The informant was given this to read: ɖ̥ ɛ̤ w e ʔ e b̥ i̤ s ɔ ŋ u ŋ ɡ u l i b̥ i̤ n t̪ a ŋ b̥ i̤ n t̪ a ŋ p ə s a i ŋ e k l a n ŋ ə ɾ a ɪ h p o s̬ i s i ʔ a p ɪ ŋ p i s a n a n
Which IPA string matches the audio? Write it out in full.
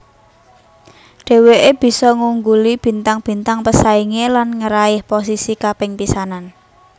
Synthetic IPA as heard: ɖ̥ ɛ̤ w e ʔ e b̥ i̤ s ɔ ŋ u ŋ ɡ u l i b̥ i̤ n t̪ a ŋ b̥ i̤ n t̪ a ŋ p ə s a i ŋ e l a n ŋ ə ɾ a ɪ h p o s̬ i s i k a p ɪ ŋ p i s a n a n